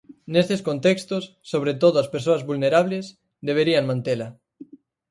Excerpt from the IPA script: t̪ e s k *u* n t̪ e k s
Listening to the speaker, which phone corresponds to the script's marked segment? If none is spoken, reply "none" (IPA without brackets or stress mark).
o